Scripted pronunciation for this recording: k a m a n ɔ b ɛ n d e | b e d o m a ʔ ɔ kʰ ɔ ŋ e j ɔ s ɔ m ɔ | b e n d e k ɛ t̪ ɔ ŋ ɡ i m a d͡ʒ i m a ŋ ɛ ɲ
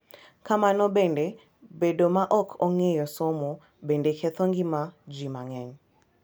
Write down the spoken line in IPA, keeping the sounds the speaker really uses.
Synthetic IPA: k a m a n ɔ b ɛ n d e | b e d o m a ʔ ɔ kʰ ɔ ŋ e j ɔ s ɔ m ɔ | b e n d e k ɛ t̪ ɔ ŋ ɡ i m a d͡ʒ i m a ŋ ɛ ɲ